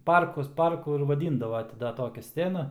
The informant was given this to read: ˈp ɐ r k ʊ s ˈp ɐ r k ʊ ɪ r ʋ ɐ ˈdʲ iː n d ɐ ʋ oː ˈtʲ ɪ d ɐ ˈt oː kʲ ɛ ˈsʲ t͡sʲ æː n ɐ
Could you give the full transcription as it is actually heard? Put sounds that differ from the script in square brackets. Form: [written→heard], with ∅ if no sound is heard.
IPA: ˈp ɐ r k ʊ s ˈp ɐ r k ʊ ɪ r ʋ ɐ ˈdʲ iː n d ɐ ʋ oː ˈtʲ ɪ d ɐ ˈt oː kʲ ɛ ˈsʲ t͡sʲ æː n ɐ